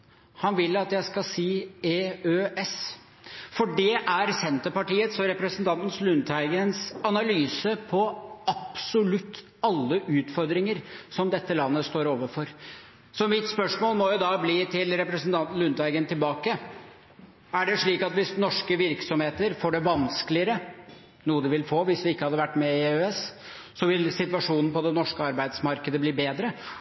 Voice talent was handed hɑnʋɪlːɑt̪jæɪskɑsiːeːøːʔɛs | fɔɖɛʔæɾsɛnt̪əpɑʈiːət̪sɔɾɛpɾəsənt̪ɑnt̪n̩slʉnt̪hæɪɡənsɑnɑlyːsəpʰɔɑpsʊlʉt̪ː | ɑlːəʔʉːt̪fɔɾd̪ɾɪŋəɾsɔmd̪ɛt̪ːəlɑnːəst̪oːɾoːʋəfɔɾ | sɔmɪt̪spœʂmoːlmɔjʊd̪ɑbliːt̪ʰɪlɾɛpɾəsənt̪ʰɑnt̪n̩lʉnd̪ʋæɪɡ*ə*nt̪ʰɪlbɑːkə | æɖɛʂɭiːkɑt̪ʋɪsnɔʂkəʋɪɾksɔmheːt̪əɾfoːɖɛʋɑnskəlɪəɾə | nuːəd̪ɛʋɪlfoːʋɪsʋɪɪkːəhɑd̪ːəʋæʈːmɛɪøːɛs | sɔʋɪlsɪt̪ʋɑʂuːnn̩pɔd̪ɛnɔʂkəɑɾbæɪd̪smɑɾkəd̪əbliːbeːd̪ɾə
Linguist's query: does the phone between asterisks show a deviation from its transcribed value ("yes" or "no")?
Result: no